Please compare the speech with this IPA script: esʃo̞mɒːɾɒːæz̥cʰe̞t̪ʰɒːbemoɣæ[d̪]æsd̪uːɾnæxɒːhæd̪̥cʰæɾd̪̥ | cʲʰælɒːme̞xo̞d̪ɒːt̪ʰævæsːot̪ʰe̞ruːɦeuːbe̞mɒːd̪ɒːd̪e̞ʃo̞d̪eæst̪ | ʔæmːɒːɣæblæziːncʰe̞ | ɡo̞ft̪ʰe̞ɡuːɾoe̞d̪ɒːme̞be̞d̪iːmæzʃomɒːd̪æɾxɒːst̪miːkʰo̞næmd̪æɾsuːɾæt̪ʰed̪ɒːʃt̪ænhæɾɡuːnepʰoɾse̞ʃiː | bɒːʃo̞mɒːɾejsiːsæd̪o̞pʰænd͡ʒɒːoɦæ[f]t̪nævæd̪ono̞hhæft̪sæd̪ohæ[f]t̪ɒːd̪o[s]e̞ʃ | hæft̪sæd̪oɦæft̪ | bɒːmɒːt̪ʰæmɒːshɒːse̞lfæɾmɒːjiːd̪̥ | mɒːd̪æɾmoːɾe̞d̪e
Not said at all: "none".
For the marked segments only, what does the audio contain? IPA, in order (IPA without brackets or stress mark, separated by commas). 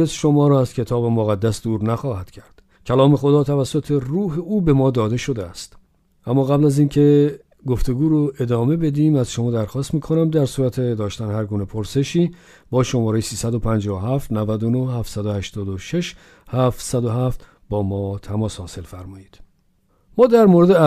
d̪ː, f, ʃ, ʃ